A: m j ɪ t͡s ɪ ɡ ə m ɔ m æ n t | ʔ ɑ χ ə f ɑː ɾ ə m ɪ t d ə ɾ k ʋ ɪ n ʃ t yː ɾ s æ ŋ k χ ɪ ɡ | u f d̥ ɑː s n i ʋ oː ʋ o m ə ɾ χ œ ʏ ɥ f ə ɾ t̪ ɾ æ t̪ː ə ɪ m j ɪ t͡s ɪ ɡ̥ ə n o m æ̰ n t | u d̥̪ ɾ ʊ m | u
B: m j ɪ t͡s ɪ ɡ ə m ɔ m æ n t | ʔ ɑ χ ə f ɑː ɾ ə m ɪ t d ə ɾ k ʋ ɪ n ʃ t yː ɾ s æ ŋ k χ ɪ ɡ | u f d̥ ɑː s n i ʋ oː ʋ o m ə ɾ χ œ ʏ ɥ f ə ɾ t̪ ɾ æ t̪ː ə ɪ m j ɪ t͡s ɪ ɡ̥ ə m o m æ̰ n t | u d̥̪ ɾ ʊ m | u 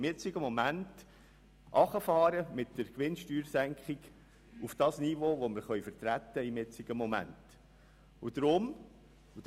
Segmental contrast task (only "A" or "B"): B